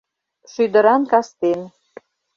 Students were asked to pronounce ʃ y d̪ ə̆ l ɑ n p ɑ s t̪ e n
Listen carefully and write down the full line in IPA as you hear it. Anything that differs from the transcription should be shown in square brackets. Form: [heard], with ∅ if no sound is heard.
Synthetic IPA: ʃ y d̪ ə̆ [ɾ] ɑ n [k] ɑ s t̪ e n